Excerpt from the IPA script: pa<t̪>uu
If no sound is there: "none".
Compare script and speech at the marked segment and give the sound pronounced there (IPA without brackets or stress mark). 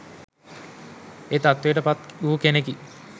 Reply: t̪